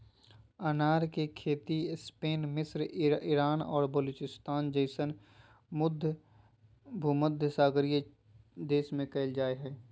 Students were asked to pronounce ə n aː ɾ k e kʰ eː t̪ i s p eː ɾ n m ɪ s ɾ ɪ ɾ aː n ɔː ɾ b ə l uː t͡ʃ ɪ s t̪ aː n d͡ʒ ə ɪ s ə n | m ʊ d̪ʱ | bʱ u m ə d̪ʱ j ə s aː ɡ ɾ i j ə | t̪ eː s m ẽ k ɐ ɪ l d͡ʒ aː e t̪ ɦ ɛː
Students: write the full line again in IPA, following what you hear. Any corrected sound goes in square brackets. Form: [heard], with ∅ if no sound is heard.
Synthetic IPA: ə n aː ɾ k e kʰ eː t̪ i s p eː [∅] n m ɪ s ɾ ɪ ɾ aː n ɔː ɾ b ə l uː t͡ʃ ɪ s t̪ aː n d͡ʒ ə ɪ s ə n | m ʊ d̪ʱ | bʱ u m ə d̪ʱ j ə s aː ɡ ɾ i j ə | [d̪] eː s m ẽ k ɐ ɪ l d͡ʒ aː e [∅] ɦ ɛː